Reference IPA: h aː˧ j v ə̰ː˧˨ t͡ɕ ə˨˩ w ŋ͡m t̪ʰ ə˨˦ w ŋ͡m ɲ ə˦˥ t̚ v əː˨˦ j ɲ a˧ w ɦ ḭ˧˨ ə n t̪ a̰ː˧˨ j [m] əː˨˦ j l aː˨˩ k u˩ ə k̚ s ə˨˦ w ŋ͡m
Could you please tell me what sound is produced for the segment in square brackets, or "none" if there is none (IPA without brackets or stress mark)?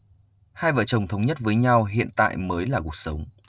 m